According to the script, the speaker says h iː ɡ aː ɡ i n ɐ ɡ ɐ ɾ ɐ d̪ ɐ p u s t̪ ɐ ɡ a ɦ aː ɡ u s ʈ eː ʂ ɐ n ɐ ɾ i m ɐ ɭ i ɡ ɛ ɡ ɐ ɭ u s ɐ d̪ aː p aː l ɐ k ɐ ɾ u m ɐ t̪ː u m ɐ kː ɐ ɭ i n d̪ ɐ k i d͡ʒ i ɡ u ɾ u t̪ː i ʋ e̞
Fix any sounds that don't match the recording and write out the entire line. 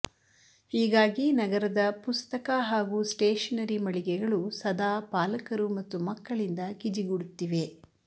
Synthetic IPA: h iː ɡ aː ɡ i n ɐ ɡ ɐ ɾ ɐ d̪ ɐ p u s t̪ ɐ k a ɦ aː ɡ u s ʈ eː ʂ ɐ n ɐ ɾ i m ɐ ɭ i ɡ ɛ ɡ ɐ ɭ u s ɐ d̪ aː p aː l ɐ k ɐ ɾ u m ɐ t̪ː u m ɐ kː ɐ ɭ i n d̪ ɐ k i d͡ʒ i ɡ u ɽ u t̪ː i ʋ e̞

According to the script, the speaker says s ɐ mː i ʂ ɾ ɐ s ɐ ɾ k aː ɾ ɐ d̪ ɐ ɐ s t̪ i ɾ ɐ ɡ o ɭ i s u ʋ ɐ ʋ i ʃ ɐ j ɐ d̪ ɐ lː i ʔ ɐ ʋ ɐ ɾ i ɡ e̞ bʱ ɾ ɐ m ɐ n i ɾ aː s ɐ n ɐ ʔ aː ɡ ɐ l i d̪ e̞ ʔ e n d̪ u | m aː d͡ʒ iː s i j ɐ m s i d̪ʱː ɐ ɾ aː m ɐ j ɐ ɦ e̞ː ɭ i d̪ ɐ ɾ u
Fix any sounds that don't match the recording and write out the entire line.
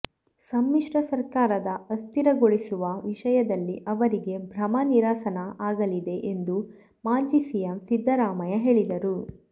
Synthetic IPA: s ɐ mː i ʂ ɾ ɐ s ɐ ɾ k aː ɾ ɐ d̪ ɐ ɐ s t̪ i ɾ ɐ ɡ o ɭ i s u ʋ ɐ ʋ i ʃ ɐ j ɐ d̪ ɐ lː i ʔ ɐ ʋ ɐ ɾ i ɡ e̞ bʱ ɾ ɐ m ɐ n i ɾ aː s ɐ n ɐ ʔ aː ɡ ɐ l i d̪ e̞ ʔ e n d̪ u | m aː d͡ʒ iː s i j ɐ m s i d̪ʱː ɐ ɾ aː m ɐ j ɐ ɦ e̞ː ɭ i d̪ ɐ ɾ u

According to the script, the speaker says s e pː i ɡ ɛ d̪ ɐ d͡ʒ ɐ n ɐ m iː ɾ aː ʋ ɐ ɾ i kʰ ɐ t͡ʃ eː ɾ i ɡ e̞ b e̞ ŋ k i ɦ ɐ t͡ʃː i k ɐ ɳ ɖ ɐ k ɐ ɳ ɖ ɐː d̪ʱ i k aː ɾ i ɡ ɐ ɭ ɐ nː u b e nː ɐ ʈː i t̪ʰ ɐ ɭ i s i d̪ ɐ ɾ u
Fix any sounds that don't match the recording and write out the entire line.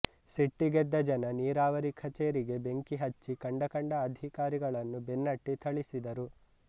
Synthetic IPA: s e ʈː i ɡ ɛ d̪ː ɐ d͡ʒ ɐ n ɐ n iː ɾ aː ʋ ɐ ɾ i kʰ ɐ t͡ʃ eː ɾ i ɡ e̞ b e̞ ŋ k i ɦ ɐ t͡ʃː i k ɐ ɳ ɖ ɐ k ɐ ɳ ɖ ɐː d̪ʱ i k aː ɾ i ɡ ɐ ɭ ɐ nː u b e nː ɐ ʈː i t̪ʰ ɐ ɭ i s i d̪ ɐ ɾ u

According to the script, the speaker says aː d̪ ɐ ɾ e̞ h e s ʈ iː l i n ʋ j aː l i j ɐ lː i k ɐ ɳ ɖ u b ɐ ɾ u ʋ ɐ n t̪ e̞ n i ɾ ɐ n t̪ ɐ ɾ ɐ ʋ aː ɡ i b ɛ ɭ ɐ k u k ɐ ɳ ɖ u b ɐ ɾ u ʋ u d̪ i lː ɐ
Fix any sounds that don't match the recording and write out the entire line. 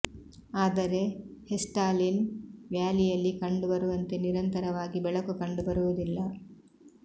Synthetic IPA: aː d̪ ɐ ɾ e̞ h e s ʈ aː l i n ʋ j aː l i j ɐ lː i k ɐ ɳ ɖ u b ɐ ɾ u ʋ ɐ n t̪ e̞ n i ɾ ɐ n t̪ ɐ ɾ ɐ ʋ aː ɡ i b ɛ ɭ ɐ k u k ɐ ɳ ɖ u b ɐ ɾ u ʋ u d̪ i lː ɐ

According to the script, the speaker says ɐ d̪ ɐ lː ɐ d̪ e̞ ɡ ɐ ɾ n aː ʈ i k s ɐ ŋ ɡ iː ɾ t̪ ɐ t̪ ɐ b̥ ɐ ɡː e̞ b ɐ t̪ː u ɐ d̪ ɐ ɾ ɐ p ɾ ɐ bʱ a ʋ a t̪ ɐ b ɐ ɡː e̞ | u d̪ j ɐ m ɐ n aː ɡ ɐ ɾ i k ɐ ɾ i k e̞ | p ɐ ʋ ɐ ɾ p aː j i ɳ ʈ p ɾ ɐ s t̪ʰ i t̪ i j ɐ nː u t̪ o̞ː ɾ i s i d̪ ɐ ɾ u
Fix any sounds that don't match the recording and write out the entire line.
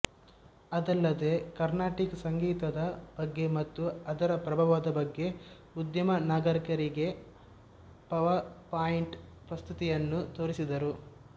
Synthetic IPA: ɐ d̪ ɐ lː ɐ d̪ e̞ k ɐ ɾ n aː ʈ i k s ɐ ŋ ɡ iː t̪ ɐ d̪ ɐ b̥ ɐ ɡː e̞ m ɐ t̪ː u ɐ d̪ ɐ ɾ ɐ p ɾ ɐ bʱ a ʋ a d̪ ɐ b ɐ ɡː e̞ | u d̪ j ɐ m ɐ n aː ɡ ɐ ɾ i k ɐ ɾ i ɡ e̞ | p ɐ ʋ ɐ ɾ p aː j i ɳ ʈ p ɾ ɐ s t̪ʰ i t̪ i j ɐ nː u t̪ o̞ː ɾ i s i d̪ ɐ ɾ u

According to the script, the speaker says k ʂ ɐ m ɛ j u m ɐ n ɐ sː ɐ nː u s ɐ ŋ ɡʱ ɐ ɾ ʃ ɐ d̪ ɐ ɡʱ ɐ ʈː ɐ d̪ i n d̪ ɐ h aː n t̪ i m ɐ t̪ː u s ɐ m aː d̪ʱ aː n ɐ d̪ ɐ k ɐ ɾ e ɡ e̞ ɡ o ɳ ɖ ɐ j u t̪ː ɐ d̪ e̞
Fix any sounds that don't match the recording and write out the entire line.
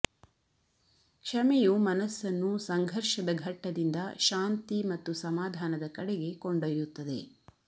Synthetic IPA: k ʂ ɐ m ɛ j u m ɐ n ɐ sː ɐ nː u s ɐ ŋ ɡʱ ɐ ɾ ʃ ɐ d̪ ɐ ɡʱ ɐ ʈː ɐ d̪ i n d̪ ɐ ʃ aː n t̪ i m ɐ t̪ː u s ɐ m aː d̪ʱ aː n ɐ d̪ ɐ k ɐ ɽ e ɡ e̞ k o ɳ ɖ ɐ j u t̪ː ɐ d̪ e̞

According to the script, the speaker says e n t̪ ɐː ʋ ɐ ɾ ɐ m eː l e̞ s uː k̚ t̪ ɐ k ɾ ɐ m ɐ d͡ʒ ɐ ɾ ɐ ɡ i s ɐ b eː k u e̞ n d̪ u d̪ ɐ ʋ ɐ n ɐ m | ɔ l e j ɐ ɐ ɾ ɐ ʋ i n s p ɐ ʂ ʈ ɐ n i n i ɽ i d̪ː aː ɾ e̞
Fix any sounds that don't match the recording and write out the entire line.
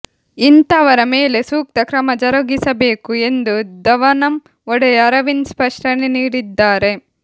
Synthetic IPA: i n t̪ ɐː ʋ ɐ ɾ ɐ m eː l e̞ s uː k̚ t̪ ɐ k ɾ ɐ m ɐ d͡ʒ ɐ ɾ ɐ ɡ i s ɐ b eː k u e̞ n d̪ u d̪ ɐ ʋ ɐ n ɐ m | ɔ ɽ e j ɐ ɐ ɾ ɐ ʋ i n s p ɐ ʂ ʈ ɐ n e n iː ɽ i d̪ː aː ɾ e̞

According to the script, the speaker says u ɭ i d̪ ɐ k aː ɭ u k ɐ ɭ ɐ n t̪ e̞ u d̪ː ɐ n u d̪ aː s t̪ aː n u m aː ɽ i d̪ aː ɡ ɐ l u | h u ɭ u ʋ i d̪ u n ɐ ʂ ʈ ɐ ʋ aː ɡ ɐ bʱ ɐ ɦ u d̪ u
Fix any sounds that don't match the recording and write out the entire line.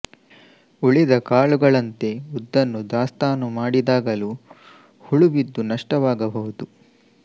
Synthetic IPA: u ɭ i d̪ ɐ k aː ɭ u ɡ ɐ ɭ ɐ n t̪ e̞ u d̪ː ɐ nː u d̪ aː s t̪ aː n u m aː ɽ i d̪ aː ɡ ɐ l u | h u ɭ u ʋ i d̪ː u n ɐ ʂ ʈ ɐ ʋ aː ɡ ɐ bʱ ɐ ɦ u d̪ u

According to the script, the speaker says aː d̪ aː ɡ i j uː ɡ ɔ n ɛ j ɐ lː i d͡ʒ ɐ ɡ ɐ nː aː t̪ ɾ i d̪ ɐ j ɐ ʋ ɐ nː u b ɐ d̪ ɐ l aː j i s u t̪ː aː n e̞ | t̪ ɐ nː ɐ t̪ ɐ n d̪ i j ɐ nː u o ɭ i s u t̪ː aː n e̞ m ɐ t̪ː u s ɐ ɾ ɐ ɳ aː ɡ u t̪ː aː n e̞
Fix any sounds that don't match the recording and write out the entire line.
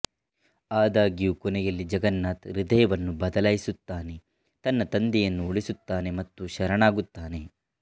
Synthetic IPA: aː d̪ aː ɡ i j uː k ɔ n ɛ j ɐ lː i d͡ʒ ɐ ɡ ɐ nː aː t̪ ɾ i d̪ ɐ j ɐ ʋ ɐ nː u b ɐ d̪ ɐ l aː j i s u t̪ː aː n e̞ | t̪ ɐ nː ɐ t̪ ɐ n d̪ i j ɐ nː u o ɭ i s u t̪ː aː n e̞ m ɐ t̪ː u ʃ ɐ ɾ ɐ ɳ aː ɡ u t̪ː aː n e̞

